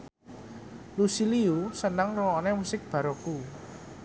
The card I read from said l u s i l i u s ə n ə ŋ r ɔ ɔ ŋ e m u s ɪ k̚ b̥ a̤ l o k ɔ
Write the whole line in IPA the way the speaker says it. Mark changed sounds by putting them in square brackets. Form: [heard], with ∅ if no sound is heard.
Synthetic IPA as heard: l u s i l i u s ə n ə ŋ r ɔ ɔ [n] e m u s ɪ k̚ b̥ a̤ [ɾ] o k [u]